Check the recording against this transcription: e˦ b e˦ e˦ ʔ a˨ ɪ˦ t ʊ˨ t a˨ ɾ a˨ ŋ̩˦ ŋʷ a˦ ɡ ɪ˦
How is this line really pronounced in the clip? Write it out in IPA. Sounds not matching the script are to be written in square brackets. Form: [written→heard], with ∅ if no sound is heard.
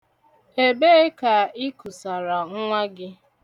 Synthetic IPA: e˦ b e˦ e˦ [ʔ→k] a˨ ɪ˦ [t→k] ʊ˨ [t→s] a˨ ɾ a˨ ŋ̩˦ ŋʷ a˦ ɡ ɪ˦